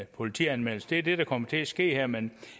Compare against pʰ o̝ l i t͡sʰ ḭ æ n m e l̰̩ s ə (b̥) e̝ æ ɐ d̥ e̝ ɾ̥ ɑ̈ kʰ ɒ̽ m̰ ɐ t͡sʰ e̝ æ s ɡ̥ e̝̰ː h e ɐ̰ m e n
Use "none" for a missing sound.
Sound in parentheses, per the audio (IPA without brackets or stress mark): d̥